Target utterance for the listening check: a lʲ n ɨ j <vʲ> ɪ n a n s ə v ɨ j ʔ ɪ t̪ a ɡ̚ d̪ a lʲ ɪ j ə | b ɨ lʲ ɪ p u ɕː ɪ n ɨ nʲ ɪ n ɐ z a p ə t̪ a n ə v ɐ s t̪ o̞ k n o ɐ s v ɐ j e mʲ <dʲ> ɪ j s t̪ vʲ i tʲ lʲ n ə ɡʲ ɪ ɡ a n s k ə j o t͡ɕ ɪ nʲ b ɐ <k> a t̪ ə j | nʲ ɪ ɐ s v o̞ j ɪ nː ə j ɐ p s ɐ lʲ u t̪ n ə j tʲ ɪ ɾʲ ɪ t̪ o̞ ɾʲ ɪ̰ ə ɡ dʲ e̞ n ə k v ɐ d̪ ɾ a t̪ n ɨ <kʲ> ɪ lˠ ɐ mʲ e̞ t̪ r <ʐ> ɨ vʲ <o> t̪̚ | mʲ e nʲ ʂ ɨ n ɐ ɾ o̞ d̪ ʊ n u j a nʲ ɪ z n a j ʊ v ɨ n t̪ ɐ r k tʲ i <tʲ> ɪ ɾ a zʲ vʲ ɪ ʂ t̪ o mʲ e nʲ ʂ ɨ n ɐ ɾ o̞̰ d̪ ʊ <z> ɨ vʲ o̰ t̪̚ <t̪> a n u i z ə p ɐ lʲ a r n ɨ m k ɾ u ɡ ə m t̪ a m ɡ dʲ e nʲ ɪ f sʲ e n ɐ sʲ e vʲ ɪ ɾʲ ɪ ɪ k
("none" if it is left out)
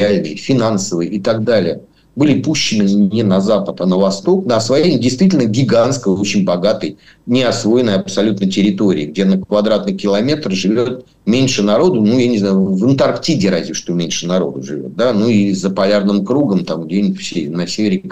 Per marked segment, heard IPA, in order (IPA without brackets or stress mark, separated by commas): fʲ, dʲ, ɡ, kʲ, ʐ, o, dʲ, ʐ, d̪